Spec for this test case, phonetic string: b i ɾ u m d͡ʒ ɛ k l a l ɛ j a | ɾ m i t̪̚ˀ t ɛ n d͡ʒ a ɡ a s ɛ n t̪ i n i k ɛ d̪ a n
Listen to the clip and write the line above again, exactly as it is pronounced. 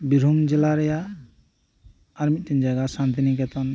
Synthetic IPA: b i ɾ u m d͡ʒ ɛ l a ɾ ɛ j a | ɾ m i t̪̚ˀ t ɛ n d͡ʒ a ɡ a s a n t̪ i n i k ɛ t̪ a n

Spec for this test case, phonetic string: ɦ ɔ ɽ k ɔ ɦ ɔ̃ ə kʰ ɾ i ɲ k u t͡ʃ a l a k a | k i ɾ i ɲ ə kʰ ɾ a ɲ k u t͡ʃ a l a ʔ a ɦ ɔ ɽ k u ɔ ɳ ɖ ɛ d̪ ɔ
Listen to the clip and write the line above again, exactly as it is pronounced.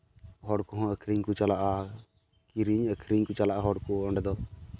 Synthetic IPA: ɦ ɔ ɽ k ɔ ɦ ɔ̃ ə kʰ ɾ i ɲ k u t͡ʃ a l a ʔ a | k i ɾ i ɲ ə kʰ ɾ i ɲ k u t͡ʃ a l a ʔ a ɦ ɔ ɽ k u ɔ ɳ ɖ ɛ d̪ ɔ

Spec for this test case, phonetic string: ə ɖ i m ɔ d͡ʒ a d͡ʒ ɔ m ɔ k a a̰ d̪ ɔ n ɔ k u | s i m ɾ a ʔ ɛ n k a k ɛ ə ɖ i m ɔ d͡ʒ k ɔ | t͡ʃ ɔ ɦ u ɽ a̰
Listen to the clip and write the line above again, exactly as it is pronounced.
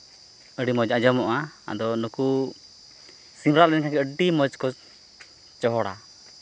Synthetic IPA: ə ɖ i m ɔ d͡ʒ a d͡ʒ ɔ m ɔ ʔ a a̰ d̪ ɔ n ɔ k u | s i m ɾ a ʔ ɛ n k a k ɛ ə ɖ i m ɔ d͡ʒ k ɔ | t͡ʃ ɔ ɦ ɔ ɽ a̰

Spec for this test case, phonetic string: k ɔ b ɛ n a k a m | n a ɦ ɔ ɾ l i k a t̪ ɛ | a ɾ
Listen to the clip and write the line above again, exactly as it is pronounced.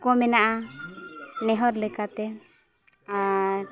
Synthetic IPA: k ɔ m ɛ n a ʔ a | n ɛ ɦ ɔ ɾ l ɛ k a t̪ ɛ | a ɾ

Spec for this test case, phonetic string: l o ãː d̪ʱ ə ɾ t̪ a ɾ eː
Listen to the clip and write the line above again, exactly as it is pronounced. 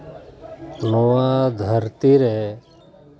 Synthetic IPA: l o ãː d̪ʱ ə ɾ t̪ i ɾ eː

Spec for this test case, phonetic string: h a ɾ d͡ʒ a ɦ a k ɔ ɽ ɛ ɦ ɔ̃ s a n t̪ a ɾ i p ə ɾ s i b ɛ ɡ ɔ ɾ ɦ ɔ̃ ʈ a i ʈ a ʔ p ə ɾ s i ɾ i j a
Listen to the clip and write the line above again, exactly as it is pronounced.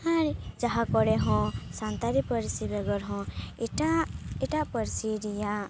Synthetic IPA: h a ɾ d͡ʒ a ɦ a k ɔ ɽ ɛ ɦ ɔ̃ s a n t̪ a ɾ i p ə ɾ s i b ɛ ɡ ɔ ɾ ɦ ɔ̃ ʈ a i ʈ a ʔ p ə ɾ s i ɾ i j a

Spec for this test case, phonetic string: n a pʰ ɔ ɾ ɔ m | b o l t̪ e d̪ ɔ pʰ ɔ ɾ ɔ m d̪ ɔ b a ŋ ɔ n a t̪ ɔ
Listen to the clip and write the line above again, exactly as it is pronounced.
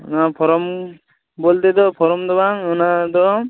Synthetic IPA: n a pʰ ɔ ɾ ɔ m | b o l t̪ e d̪ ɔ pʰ ɔ ɾ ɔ m d̪ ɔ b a ŋ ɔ n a d̪ ɔ

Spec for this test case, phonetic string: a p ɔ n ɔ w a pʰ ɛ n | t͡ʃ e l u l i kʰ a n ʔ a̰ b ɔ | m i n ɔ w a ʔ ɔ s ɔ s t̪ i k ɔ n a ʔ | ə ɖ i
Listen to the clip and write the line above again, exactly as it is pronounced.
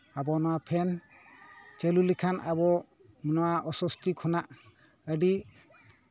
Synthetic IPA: a b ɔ n ɔ w a pʰ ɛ n | t͡ʃ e l u l i kʰ a n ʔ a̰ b ɔ | m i n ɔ w a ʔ ɔ s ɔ s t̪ i kʰ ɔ n a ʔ | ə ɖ i

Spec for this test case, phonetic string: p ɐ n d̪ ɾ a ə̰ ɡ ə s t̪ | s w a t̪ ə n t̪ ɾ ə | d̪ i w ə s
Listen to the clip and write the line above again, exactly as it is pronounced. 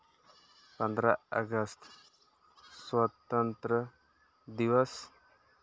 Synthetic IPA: p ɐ n d̪ ɾ a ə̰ ɡ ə s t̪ | s w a t̪ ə n t̪ ɾ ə | d̪ i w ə s

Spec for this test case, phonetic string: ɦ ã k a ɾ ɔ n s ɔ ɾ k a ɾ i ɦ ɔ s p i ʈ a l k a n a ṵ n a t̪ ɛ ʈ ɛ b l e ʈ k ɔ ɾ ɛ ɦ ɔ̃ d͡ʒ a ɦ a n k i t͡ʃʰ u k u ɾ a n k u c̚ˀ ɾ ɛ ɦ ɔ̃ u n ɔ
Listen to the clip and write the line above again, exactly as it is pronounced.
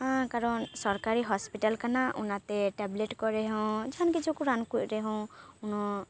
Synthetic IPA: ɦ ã k a ɾ ɔ n s ɔ ɾ k a ɾ i ɦ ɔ s p i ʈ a l k a n a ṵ n a t̪ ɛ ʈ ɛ b l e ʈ k ɔ ɾ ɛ ɦ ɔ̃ d͡ʒ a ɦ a n k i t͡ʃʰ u k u ɾ a n k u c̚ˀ ɾ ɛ ɦ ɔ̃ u n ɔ

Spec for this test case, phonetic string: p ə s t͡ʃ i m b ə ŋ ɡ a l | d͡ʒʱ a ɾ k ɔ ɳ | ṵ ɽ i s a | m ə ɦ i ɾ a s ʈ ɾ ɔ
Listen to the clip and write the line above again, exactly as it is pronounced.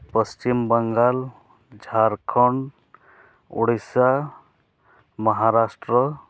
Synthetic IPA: p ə s t͡ʃ i m b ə ŋ ɡ a l | d͡ʒʱ a ɾ kʰ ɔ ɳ | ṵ ɽ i s a | m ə ɦ a ɾ a s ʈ ɾ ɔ

